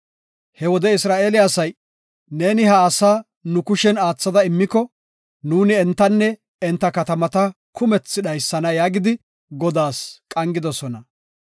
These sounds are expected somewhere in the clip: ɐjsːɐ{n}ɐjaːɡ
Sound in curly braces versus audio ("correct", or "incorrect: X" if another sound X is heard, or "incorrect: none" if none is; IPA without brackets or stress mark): correct